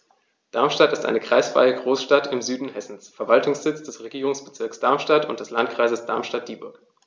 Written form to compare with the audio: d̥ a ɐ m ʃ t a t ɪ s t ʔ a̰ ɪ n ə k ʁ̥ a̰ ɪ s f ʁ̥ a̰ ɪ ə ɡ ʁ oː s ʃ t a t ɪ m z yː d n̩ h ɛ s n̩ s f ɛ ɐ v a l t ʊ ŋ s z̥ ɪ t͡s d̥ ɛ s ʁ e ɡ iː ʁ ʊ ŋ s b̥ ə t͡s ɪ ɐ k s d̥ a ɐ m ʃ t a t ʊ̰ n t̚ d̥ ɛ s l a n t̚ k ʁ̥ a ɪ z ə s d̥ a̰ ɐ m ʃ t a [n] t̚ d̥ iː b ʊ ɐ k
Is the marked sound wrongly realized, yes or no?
yes